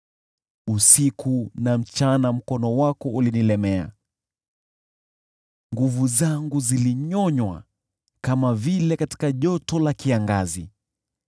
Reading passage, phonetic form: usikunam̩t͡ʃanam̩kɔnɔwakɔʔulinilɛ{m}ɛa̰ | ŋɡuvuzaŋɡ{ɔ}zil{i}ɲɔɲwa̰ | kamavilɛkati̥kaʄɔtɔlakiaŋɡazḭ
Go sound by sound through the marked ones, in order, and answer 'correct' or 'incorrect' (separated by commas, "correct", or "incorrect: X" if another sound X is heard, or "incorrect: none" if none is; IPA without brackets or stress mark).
correct, incorrect: u, correct